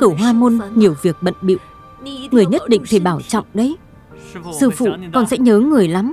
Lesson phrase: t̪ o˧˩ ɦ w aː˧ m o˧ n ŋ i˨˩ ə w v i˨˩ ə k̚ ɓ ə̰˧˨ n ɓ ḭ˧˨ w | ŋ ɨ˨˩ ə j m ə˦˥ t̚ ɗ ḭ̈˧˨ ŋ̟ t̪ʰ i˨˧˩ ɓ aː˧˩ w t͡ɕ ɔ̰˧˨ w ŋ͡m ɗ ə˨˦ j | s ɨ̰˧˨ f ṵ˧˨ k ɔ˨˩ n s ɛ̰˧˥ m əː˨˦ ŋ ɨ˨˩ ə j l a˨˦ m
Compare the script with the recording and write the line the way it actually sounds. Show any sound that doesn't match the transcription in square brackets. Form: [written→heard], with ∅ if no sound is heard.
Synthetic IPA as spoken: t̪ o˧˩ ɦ w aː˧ m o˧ n [ŋ→ɲ] i˨˩ ə w v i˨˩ ə k̚ ɓ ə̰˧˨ n ɓ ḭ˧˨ w | ŋ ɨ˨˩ ə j [m→ɲ] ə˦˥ t̚ ɗ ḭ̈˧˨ ŋ̟ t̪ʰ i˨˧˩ ɓ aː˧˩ w t͡ɕ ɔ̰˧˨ w ŋ͡m ɗ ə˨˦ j | s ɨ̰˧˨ f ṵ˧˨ k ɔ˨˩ n s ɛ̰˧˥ [m→ɲ] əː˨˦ ŋ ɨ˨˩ ə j l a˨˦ m

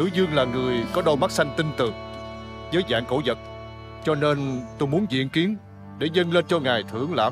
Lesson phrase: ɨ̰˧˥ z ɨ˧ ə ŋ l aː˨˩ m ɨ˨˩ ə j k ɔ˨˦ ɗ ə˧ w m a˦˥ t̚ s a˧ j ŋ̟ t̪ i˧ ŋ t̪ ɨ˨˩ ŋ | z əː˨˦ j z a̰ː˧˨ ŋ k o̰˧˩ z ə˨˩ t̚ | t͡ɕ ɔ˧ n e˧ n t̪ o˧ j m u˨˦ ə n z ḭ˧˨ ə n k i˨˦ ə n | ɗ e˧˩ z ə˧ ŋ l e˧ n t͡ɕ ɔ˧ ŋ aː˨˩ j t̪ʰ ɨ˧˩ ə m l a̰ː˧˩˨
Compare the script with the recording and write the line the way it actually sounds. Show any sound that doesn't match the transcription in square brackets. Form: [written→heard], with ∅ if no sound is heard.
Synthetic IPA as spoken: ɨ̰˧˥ z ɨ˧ ə ŋ l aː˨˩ [m→ŋ] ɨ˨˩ ə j k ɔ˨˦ ɗ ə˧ w m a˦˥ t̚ s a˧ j ŋ̟ t̪ i˧ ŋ t̪ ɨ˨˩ ŋ | z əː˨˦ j z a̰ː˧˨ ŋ k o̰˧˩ z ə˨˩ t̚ | t͡ɕ ɔ˧ n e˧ n t̪ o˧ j m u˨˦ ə n z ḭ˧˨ ə n k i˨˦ ə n | ɗ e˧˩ z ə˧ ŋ l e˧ n t͡ɕ ɔ˧ ŋ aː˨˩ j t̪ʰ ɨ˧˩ ə [m→ŋ] l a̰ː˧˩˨

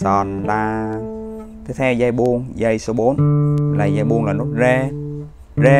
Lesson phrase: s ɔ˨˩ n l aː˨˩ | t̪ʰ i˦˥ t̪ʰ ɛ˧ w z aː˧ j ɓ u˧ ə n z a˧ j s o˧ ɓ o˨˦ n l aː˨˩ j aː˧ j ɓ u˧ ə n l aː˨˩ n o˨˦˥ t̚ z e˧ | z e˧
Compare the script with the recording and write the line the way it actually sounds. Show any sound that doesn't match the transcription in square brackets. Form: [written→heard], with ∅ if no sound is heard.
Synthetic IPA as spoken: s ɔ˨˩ n l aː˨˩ | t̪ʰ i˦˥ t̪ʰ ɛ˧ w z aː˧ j ɓ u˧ ə [n→ŋ] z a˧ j s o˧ ɓ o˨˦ n l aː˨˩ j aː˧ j ɓ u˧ ə [n→ŋ] l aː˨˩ n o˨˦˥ t̚ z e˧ | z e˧

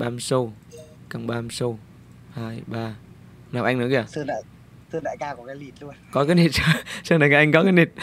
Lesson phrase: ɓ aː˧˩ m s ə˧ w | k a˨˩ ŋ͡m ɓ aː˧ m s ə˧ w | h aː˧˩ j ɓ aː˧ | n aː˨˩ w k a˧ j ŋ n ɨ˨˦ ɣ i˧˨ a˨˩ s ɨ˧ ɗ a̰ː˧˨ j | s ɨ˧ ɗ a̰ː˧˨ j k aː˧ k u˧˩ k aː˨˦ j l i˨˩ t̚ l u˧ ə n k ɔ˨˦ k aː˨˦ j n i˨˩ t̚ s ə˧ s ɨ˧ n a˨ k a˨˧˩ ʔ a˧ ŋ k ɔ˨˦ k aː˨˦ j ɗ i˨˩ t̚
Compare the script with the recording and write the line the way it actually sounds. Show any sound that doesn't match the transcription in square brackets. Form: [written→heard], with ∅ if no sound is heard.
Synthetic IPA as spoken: ɓ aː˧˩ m s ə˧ w | k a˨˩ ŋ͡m ɓ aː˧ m s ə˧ w | h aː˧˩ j ɓ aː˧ | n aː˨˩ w [k→ʔ] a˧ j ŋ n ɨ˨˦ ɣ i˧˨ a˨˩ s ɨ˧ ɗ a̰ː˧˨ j | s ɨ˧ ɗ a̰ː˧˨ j k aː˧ k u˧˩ k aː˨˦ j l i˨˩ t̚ l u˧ ə n k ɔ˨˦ k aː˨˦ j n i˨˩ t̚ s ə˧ s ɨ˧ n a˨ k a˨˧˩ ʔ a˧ ŋ k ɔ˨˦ k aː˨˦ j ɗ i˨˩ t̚

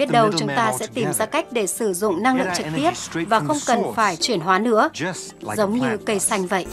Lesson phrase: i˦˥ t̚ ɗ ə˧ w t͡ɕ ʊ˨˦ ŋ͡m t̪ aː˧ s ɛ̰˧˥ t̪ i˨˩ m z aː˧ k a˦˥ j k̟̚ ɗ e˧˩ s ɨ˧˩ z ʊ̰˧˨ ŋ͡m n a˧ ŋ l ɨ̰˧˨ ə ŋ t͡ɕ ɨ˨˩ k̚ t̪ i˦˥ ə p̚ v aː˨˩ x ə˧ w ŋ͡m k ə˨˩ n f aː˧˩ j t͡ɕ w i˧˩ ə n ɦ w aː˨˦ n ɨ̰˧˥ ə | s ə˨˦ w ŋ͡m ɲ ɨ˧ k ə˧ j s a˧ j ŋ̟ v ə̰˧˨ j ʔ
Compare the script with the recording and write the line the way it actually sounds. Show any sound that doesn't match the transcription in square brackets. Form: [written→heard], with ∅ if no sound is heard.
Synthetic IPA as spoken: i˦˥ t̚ ɗ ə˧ w t͡ɕ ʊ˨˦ ŋ͡m t̪ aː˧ s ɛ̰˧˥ t̪ i˨˩ m z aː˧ k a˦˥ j k̟̚ ɗ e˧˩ s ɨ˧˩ z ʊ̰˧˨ ŋ͡m n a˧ ŋ l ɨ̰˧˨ ə ŋ t͡ɕ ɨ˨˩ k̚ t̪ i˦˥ ə p̚ v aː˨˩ x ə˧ w ŋ͡m k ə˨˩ n f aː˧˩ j t͡ɕ w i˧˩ ə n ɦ w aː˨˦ n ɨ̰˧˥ ə | [s→z] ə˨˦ w ŋ͡m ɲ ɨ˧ k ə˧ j s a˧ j ŋ̟ v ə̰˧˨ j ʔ

